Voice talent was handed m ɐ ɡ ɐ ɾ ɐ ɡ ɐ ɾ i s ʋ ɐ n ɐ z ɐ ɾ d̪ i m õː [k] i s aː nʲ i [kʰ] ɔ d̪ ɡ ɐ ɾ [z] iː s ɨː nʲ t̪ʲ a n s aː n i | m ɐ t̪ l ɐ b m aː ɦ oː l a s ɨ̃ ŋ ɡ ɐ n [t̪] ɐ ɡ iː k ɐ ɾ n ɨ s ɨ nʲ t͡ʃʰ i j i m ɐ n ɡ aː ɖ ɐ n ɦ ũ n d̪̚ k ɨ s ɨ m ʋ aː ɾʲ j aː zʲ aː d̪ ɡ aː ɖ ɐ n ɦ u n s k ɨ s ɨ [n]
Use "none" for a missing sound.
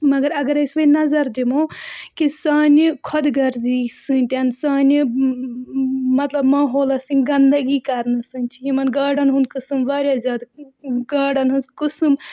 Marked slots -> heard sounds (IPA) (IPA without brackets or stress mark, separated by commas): k, kʰ, z, d̪, m